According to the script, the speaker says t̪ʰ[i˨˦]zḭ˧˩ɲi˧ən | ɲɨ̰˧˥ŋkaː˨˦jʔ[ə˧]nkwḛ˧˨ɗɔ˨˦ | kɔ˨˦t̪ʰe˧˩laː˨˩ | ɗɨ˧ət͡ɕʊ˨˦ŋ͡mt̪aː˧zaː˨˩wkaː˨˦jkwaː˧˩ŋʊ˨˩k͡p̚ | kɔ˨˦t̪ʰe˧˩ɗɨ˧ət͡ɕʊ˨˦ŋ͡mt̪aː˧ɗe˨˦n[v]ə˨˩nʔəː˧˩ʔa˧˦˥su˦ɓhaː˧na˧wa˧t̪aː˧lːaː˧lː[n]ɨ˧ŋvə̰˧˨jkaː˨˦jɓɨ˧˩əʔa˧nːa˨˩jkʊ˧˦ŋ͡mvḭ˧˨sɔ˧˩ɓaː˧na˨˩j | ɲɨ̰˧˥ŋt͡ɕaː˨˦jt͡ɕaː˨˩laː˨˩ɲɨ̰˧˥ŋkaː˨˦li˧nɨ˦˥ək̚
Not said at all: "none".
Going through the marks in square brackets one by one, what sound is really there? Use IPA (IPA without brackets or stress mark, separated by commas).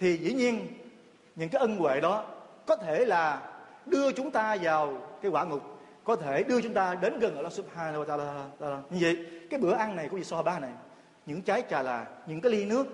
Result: i˨˩, ə˧, ɣ, ɲ